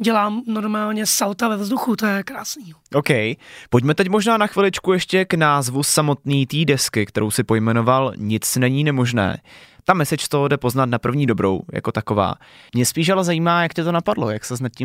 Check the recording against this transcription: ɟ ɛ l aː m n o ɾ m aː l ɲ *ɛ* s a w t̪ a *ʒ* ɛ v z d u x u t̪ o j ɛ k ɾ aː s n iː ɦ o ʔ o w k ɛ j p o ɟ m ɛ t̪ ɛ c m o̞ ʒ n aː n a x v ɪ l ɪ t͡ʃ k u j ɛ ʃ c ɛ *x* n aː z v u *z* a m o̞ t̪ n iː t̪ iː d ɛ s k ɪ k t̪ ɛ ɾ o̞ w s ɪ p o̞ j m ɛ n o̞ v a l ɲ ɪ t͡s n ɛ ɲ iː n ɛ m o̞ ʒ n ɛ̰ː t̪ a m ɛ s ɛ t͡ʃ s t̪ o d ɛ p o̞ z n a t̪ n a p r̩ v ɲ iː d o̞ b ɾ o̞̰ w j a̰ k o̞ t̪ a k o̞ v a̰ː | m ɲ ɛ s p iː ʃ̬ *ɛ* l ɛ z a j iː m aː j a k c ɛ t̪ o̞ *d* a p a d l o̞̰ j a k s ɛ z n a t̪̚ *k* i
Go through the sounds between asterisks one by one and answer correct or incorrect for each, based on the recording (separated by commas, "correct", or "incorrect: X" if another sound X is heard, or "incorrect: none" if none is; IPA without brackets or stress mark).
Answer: correct, incorrect: v, incorrect: k, incorrect: s, incorrect: a, incorrect: n, incorrect: c